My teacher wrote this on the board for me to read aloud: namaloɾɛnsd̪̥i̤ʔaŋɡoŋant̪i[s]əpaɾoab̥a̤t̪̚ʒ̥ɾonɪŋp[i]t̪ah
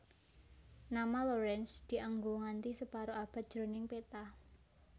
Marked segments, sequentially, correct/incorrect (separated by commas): correct, incorrect